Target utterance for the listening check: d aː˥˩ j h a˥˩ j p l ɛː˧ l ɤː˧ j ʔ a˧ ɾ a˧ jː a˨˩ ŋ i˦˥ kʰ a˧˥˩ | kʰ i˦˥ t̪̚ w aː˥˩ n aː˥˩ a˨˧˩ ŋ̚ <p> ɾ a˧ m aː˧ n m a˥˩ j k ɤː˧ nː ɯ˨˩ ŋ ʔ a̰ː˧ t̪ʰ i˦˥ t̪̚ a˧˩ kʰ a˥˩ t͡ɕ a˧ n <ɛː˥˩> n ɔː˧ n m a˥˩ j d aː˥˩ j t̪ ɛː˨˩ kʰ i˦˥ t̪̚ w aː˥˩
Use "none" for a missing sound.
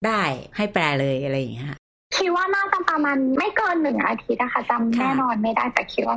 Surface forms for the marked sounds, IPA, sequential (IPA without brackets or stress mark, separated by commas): p, ɛː˥˩